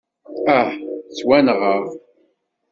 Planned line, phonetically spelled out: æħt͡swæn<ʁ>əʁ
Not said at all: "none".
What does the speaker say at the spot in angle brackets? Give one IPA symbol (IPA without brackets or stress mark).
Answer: ʁ